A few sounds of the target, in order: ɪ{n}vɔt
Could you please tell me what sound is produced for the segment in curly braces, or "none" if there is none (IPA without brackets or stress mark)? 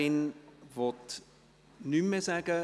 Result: n